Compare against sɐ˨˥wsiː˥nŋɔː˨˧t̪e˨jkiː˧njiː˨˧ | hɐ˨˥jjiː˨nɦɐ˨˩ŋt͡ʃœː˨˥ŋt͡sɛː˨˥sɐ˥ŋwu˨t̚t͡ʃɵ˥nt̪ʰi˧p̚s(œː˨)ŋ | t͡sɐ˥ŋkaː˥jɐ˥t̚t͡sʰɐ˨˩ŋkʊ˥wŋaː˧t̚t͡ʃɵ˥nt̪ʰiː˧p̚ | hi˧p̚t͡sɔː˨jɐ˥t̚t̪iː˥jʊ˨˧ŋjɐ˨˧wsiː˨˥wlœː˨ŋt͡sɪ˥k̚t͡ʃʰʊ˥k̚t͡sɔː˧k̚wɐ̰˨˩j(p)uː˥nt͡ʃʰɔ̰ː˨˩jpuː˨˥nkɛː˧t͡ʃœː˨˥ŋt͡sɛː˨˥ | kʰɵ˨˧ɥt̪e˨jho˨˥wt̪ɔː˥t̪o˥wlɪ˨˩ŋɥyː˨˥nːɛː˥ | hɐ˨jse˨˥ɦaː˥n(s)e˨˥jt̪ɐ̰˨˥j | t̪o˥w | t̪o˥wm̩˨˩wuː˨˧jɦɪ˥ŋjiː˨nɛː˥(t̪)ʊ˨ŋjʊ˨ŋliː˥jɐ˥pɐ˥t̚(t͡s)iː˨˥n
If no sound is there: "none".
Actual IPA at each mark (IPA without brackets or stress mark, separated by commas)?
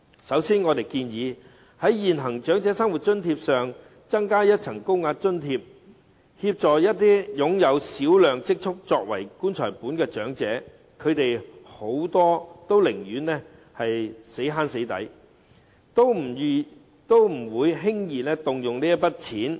œː˨, k, s, t̪, t͡sʰ